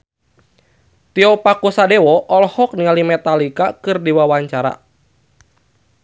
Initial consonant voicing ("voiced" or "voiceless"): voiceless